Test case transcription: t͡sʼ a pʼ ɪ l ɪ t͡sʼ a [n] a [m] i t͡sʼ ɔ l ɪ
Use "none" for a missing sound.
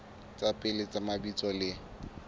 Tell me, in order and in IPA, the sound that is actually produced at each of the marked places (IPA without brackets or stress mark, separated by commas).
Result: m, b